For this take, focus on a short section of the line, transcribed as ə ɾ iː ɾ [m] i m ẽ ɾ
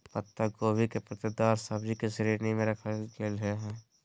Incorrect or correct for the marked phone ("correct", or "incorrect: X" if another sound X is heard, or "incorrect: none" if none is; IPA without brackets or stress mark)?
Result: incorrect: n